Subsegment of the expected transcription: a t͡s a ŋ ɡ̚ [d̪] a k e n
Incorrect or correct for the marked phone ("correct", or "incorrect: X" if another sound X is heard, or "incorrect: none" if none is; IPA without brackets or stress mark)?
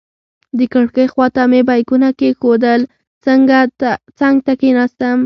incorrect: t̪